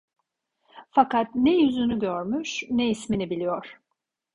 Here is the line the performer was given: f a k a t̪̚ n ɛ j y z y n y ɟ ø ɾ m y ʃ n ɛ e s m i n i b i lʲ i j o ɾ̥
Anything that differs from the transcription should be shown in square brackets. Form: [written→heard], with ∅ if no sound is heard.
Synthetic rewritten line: f a k a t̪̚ n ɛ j y z y n y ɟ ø ɾ m y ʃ n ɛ [e→i] s m i n i b i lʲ i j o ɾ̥

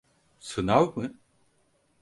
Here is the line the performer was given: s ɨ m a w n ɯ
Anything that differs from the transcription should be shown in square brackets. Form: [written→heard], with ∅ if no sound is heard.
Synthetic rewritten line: s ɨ [m→n] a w [n→m] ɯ

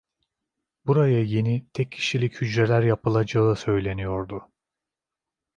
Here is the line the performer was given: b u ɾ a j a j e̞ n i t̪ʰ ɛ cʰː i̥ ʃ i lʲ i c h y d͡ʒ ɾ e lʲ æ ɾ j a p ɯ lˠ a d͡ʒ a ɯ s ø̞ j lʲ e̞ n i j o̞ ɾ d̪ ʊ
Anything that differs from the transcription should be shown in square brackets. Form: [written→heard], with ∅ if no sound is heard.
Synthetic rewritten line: b u ɾ a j a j e̞ n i t̪ʰ ɛ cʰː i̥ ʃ i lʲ i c h y d͡ʒ ɾ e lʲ æ ɾ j a p ɯ lˠ a d͡ʒ a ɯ s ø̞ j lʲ e̞ n i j o̞ ɾ d̪ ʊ

